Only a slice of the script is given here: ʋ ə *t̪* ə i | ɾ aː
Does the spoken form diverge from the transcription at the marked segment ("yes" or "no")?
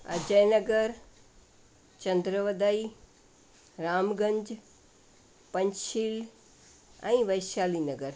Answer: yes